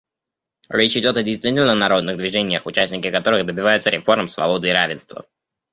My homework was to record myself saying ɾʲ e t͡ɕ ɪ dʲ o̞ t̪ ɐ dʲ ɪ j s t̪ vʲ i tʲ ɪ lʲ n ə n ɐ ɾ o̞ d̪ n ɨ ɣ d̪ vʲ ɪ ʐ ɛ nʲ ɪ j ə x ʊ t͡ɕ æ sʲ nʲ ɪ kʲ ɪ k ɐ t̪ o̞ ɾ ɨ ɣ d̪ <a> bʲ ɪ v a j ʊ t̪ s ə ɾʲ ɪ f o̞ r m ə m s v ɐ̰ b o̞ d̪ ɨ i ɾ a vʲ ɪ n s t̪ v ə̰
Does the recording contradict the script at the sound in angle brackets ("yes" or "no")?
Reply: yes